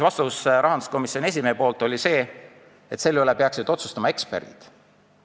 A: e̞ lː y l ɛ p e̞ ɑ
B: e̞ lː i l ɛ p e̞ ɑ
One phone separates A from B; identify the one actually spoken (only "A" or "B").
A